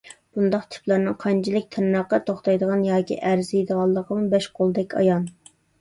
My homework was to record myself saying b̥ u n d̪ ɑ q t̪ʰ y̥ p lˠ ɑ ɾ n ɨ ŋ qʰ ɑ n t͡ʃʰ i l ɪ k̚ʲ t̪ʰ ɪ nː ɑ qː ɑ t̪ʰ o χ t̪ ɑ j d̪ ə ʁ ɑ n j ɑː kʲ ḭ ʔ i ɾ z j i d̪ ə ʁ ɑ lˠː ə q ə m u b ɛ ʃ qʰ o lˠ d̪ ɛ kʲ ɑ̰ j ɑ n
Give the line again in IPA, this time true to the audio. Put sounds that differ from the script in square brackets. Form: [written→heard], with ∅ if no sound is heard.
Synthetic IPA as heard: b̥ u n d̪ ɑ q t̪ʰ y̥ p lˠ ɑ ɾ n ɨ ŋ qʰ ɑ n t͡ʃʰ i l ɪ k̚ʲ t̪ʰ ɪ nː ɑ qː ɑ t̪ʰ o χ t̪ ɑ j d̪ ə ʁ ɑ n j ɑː kʲ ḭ ʔ [i→æ] ɾ z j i d̪ ə ʁ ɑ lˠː ə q ə m u b ɛ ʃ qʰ o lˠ d̪ ɛ kʲ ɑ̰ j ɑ n